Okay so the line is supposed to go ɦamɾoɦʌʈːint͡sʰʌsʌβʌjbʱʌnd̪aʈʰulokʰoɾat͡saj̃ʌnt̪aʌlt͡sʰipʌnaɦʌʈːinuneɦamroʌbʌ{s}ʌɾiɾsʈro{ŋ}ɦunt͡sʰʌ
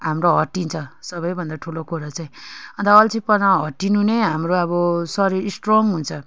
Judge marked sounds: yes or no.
yes, yes

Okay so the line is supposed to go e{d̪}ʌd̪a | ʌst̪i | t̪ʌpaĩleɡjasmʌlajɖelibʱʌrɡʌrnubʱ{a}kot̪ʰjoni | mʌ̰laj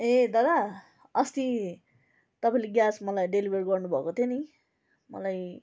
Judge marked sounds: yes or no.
yes, no

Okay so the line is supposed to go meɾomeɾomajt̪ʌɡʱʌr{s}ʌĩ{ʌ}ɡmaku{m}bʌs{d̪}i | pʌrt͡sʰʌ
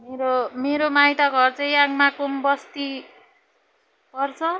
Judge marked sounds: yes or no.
no, no, yes, no

